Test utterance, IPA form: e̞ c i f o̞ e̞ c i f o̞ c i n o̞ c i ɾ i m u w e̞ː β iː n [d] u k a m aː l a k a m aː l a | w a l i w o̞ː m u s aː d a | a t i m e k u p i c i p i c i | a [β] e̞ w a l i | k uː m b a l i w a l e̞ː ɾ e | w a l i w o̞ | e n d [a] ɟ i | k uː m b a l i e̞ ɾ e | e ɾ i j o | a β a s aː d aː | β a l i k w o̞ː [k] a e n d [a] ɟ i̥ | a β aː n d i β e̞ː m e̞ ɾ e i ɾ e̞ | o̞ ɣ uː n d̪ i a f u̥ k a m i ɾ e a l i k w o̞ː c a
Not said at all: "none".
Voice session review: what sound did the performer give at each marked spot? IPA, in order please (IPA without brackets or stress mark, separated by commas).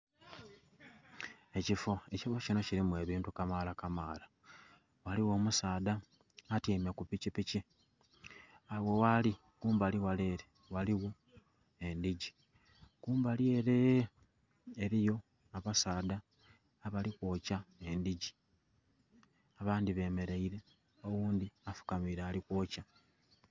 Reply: t, w, i, c, i